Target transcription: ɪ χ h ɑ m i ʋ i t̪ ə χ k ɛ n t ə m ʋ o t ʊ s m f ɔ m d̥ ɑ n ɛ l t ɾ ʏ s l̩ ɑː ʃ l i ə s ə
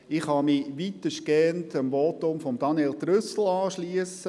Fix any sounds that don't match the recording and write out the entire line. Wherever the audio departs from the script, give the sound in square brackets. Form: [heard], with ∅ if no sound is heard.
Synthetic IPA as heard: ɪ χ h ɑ m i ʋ i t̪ ə [ʃ] k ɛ n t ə m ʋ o t ʊ [∅] m f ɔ m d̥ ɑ n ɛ l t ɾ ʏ s l̩ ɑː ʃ l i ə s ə